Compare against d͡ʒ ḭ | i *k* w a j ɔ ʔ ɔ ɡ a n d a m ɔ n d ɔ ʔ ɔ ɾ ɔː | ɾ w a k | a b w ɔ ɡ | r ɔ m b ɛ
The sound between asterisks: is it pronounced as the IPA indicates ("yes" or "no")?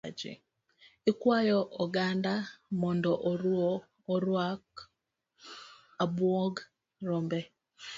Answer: yes